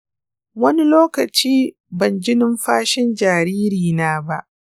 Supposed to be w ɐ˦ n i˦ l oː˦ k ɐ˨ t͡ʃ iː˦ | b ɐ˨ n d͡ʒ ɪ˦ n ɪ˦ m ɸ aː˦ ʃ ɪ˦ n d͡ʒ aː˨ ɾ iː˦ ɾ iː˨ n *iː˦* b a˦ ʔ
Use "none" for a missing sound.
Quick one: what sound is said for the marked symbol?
aː˦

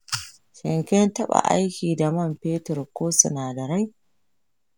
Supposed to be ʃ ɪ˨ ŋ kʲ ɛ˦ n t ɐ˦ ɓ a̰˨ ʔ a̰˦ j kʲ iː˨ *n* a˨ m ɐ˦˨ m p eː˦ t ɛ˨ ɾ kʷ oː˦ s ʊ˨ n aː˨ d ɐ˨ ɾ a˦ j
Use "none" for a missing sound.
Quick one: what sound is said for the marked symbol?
d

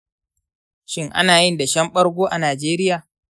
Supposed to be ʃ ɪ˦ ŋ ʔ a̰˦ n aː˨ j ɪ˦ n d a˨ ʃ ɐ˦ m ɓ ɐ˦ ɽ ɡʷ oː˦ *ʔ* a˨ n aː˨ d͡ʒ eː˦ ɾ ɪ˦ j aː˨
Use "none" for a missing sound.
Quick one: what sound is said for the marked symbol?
ʔ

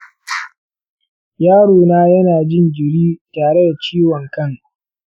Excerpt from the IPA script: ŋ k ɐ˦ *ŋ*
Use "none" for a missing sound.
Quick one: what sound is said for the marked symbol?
ŋ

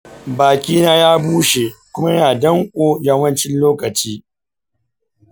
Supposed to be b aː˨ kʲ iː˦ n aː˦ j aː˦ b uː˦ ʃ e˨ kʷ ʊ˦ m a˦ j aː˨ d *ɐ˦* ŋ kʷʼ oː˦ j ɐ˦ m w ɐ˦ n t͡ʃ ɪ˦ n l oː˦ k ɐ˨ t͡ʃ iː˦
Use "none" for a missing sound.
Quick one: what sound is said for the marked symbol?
ɐ˦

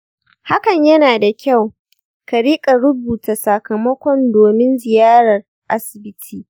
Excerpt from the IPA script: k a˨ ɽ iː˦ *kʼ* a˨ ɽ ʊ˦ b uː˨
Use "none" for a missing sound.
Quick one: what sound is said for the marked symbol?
kʼ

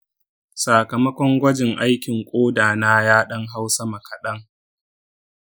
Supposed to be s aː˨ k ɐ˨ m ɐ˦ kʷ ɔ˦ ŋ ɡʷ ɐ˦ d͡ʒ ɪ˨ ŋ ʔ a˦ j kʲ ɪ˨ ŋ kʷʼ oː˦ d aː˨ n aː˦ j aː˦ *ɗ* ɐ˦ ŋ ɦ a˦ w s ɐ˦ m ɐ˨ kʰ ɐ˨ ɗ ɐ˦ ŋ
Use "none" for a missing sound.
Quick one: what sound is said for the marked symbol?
ɗ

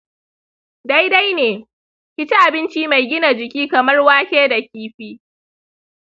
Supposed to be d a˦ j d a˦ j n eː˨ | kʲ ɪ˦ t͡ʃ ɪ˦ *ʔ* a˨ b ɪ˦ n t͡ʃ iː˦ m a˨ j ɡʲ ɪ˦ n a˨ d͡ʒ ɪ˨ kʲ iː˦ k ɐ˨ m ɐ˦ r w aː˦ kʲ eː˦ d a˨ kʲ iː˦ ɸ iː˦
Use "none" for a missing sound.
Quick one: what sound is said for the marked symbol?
ʔ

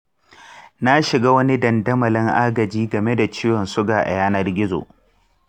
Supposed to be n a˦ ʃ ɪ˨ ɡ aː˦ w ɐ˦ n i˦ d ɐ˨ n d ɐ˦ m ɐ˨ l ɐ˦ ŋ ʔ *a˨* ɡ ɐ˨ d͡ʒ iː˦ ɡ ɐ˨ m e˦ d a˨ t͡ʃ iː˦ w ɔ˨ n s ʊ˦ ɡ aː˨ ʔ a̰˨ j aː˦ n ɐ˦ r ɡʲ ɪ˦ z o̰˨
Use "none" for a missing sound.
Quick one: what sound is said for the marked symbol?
a˦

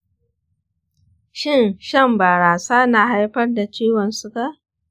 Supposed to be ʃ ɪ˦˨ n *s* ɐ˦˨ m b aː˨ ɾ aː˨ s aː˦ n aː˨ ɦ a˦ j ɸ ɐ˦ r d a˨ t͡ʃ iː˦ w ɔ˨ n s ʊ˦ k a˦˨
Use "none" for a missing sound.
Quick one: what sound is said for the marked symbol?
ʃ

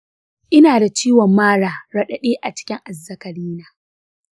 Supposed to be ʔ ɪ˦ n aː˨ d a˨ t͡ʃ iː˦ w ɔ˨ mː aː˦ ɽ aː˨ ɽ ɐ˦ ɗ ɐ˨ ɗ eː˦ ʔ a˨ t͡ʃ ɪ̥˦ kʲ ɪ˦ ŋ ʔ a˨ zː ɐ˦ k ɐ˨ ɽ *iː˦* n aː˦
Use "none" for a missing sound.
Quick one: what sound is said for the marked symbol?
iː˦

